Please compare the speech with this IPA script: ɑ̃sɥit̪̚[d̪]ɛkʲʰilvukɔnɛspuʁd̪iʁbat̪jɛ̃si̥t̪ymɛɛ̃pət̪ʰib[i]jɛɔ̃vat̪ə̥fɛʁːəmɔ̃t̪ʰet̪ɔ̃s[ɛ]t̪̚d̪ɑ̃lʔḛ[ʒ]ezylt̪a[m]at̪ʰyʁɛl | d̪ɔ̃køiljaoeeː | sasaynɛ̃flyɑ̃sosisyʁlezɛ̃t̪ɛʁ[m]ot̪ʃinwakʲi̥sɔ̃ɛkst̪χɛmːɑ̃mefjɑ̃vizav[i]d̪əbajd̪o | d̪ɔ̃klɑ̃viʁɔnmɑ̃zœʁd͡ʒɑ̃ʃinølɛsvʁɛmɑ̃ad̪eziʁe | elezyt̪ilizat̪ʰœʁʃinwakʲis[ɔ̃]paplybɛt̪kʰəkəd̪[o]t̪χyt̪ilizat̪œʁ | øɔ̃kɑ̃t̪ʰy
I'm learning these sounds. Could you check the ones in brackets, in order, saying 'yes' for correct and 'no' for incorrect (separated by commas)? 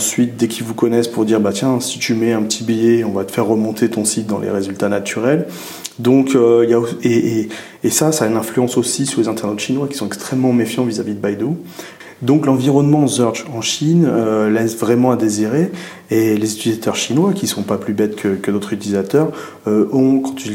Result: yes, yes, no, no, no, no, yes, yes, yes